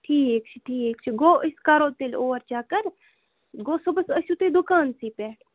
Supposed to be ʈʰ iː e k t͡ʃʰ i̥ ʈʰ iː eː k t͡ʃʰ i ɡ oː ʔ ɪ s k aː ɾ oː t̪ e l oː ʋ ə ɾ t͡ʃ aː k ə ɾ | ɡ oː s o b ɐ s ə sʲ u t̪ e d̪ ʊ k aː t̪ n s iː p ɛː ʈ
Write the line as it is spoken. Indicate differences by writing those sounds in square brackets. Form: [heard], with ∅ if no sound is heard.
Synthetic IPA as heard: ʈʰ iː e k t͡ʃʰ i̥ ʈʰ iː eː k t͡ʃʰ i ɡ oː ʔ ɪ s k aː ɾ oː t̪ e l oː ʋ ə ɾ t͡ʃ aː k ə ɾ | ɡ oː s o b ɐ s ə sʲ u t̪ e d̪ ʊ k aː [∅] n s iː p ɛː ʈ